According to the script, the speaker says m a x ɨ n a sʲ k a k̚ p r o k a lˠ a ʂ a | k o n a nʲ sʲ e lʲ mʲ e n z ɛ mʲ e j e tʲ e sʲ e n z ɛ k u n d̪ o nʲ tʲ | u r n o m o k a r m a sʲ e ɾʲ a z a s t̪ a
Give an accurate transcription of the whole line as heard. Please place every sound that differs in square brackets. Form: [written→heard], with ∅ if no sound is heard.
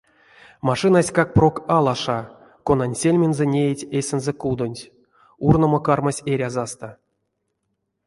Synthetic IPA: m a [x→ʂ] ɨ n a sʲ k a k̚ p r o k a lˠ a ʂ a | k o n a nʲ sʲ e lʲ mʲ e n z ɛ [mʲ→nʲ] e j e tʲ e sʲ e n z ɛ k u [n→∅] d̪ o nʲ tʲ | u r n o m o k a r m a sʲ e ɾʲ a z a s t̪ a